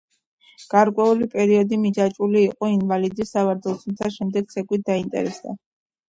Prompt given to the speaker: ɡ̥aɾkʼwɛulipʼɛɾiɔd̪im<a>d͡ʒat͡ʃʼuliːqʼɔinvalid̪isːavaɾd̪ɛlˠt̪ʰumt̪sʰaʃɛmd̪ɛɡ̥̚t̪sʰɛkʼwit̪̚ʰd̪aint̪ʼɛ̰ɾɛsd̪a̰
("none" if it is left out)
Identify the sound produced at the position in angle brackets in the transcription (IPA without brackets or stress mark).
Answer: i